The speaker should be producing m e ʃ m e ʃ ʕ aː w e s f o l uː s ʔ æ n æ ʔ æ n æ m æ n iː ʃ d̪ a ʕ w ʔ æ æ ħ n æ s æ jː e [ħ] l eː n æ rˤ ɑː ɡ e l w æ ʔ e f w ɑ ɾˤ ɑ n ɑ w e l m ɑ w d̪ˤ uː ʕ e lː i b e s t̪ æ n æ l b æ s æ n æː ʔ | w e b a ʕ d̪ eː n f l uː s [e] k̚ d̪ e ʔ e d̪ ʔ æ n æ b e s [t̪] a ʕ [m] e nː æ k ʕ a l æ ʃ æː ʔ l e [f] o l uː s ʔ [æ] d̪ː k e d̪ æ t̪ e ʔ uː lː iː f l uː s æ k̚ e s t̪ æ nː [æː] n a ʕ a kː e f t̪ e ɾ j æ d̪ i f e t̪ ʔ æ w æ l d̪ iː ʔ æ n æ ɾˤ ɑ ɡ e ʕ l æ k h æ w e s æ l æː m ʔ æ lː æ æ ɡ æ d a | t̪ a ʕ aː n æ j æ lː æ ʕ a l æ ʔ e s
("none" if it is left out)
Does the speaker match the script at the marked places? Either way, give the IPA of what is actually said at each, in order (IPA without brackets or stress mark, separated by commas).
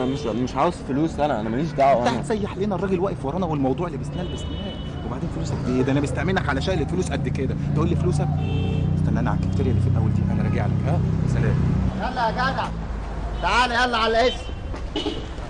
ħ, æ, t̪, m, f, æ, æ